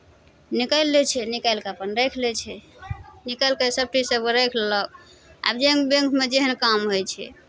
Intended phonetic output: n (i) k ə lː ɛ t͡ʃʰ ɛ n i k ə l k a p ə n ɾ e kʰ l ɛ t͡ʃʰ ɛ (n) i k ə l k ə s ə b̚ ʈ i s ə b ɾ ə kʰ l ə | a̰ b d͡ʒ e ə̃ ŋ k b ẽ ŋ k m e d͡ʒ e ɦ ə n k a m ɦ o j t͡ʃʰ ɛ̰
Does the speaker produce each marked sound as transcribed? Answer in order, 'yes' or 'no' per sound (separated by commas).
yes, yes